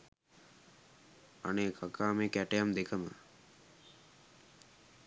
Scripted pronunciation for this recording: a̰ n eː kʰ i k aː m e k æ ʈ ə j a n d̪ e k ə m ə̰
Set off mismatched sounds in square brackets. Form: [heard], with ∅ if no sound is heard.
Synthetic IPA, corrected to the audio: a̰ n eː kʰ [a] k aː m e k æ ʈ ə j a [m] d̪ e k ə m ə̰